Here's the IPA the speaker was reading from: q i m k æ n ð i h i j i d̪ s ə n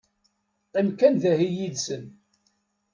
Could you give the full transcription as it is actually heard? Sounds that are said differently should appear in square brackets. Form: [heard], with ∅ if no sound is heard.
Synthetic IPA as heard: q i m k æ n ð [æ] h i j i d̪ s ə n